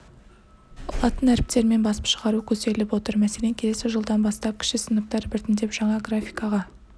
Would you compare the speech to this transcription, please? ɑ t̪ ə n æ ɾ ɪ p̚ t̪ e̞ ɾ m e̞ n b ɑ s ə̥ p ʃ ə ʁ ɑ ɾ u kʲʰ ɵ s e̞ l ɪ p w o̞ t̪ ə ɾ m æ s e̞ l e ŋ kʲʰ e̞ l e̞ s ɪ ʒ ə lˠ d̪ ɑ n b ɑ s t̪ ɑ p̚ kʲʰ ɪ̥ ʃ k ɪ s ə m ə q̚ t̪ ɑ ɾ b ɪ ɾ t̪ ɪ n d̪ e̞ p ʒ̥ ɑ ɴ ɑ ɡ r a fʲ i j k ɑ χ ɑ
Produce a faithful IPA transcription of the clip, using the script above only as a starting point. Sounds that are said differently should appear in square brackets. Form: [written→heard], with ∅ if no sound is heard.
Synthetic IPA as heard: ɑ t̪ ə n æ ɾ ɪ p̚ t̪ e̞ ɾ m e̞ n b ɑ s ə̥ p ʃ ə ʁ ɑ ɾ u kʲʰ ɵ s e̞ l ɪ p w o̞ t̪ ə ɾ m æ s e̞ l e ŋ kʲʰ e̞ l e̞ s ɪ ʒ ə lˠ d̪ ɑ n b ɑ s t̪ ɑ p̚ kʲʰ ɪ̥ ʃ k ɪ s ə [m→n] ə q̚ t̪ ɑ ɾ b ɪ ɾ t̪ ɪ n d̪ e̞ p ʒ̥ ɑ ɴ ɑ ɡ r a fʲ i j k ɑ [χ→ʁ] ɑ

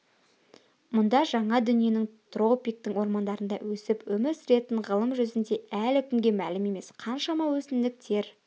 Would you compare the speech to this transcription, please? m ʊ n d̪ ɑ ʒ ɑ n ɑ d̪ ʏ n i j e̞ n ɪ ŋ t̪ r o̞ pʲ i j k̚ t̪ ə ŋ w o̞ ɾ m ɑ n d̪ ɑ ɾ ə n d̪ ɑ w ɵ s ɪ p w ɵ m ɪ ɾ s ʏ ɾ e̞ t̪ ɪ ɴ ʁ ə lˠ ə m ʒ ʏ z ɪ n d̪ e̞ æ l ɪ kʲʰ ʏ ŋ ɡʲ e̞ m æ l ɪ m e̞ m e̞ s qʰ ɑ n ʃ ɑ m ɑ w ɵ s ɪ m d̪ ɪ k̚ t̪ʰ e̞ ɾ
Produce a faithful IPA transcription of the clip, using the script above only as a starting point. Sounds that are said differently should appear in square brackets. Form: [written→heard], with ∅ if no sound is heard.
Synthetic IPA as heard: m ʊ n d̪ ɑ ʒ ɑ [n→ɴ] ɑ d̪ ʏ n i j e̞ n ɪ ŋ t̪ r o̞ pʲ i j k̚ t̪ ə ŋ w o̞ ɾ m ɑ n d̪ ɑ ɾ ə n d̪ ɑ w ɵ s ɪ p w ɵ m ɪ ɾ s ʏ ɾ e̞ t̪ ɪ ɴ ʁ ə lˠ ə m ʒ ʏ z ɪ n d̪ e̞ æ l ɪ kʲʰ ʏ ŋ ɡʲ e̞ m æ l ɪ m e̞ m e̞ s qʰ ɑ n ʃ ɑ m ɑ w ɵ s ɪ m d̪ ɪ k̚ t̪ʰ e̞ ɾ

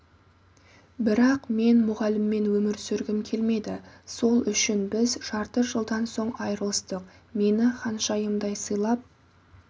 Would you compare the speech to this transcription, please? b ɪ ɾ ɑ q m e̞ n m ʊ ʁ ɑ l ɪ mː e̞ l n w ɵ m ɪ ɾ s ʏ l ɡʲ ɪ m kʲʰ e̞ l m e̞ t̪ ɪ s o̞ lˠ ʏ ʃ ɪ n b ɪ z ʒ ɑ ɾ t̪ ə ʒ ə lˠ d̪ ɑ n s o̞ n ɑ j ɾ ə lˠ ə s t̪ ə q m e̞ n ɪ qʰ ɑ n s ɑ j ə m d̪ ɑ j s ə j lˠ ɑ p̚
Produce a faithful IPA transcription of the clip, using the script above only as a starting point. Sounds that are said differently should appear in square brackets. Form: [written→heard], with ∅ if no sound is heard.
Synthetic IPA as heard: b ɪ ɾ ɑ q m e̞ n m ʊ ʁ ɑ l ɪ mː e̞ [l→∅] n w ɵ m ɪ ɾ s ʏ [l→ɾ] ɡʲ ɪ m kʲʰ e̞ l m e̞ [t̪→d̪] ɪ s o̞ lˠ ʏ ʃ ɪ n b ɪ z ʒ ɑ ɾ t̪ ə ʒ ə lˠ d̪ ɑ n s o̞ [n→ɴ] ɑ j ɾ ə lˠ ə s t̪ ə q m e̞ n ɪ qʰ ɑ n [s→ʃ] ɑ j ə m d̪ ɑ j s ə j lˠ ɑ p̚

